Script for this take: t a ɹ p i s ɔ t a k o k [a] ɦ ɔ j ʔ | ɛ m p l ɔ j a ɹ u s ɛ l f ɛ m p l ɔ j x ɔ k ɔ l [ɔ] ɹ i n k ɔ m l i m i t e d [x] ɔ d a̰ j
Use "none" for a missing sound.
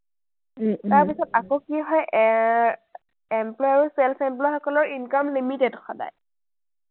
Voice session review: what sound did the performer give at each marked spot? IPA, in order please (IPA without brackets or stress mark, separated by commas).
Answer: i, ɔ, x